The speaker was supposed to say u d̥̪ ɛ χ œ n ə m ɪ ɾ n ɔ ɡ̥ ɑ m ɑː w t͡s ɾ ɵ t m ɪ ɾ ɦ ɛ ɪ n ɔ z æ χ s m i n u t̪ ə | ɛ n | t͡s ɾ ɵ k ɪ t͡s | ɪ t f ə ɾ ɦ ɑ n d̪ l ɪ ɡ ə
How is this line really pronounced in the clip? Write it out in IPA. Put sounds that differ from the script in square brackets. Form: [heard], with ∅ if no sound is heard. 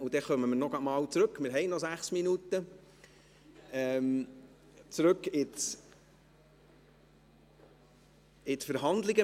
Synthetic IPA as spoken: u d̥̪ ɛ χ œ [m] ə m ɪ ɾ n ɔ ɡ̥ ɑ m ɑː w t͡s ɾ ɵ [k] m ɪ ɾ ɦ ɛ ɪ n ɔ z æ χ s m i n u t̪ ə | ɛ [m] | t͡s ɾ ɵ k ɪ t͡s | ɪ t f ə ɾ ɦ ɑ n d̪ l ɪ ɡ ə